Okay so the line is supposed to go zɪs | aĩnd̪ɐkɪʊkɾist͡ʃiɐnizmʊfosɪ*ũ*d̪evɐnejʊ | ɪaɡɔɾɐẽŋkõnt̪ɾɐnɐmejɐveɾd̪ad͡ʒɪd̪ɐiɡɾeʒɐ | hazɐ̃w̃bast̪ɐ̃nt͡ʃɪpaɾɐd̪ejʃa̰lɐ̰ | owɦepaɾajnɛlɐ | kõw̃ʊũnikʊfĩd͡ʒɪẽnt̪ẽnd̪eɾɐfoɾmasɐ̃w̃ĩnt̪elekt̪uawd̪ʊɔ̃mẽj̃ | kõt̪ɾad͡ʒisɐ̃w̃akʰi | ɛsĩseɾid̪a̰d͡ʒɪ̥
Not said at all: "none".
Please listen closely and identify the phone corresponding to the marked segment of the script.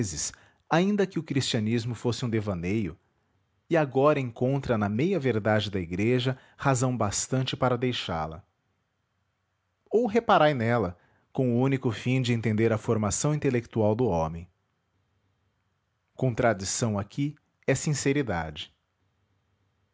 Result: ũ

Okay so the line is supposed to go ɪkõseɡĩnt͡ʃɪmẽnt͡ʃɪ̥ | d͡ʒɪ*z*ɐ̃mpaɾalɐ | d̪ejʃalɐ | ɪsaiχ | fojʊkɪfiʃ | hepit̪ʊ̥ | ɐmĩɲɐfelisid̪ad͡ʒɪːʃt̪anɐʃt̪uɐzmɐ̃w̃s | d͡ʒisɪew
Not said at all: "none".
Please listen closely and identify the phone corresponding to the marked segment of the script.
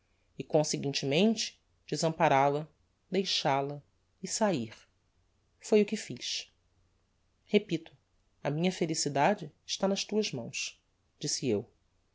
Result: z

